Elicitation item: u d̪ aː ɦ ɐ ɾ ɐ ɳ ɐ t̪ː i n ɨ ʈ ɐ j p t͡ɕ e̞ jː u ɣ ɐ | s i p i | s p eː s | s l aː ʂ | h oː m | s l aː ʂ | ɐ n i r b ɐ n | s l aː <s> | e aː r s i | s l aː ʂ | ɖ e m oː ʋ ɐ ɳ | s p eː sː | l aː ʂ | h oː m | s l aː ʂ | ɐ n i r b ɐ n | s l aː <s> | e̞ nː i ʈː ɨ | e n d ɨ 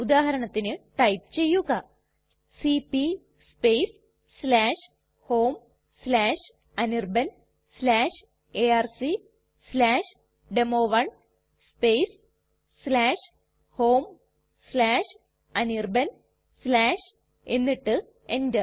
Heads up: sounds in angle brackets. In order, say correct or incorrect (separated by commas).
incorrect, incorrect